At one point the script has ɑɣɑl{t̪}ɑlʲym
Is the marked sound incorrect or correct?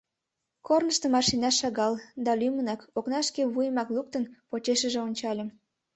incorrect